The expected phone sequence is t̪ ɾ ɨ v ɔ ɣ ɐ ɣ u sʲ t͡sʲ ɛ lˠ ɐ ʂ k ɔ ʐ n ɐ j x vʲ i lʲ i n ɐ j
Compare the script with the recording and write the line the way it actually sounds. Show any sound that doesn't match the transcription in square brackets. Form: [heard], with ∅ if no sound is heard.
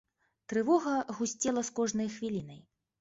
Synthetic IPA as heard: t̪ ɾ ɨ v ɔ ɣ ɐ ɣ u sʲ t͡sʲ ɛ lˠ ɐ [s] k ɔ ʐ n ɐ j x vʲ i lʲ i n ɐ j